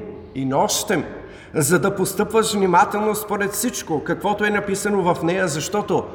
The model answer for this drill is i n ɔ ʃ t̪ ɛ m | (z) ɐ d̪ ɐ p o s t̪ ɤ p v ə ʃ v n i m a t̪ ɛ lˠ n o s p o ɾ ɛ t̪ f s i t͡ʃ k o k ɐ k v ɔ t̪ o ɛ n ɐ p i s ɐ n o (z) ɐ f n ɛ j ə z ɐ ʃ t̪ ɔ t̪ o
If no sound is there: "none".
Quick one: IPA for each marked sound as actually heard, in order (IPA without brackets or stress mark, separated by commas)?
z, v